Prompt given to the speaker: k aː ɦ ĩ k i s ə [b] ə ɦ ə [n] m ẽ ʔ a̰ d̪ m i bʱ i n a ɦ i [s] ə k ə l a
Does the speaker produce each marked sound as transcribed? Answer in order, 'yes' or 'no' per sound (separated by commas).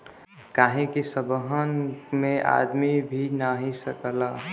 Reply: yes, yes, yes